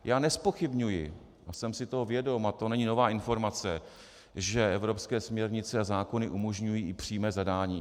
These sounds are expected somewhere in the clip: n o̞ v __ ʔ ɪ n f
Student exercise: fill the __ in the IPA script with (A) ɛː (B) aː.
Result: B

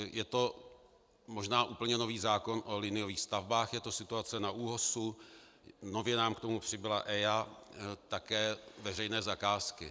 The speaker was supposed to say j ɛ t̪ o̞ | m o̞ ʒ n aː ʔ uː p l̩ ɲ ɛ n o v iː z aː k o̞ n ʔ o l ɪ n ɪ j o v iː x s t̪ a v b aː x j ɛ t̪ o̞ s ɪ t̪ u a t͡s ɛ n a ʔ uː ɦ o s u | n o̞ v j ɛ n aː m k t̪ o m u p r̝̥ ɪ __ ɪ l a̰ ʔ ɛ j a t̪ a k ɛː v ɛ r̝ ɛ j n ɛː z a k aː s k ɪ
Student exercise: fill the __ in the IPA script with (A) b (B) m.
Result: A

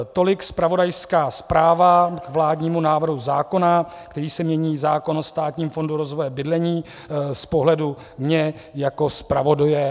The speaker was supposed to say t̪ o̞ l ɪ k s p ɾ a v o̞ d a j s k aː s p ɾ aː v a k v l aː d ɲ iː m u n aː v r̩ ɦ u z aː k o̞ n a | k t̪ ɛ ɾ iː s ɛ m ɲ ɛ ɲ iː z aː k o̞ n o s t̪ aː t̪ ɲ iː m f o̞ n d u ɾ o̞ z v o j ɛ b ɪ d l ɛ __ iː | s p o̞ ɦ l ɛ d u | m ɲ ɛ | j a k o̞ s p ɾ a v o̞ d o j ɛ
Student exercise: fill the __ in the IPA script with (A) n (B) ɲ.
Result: B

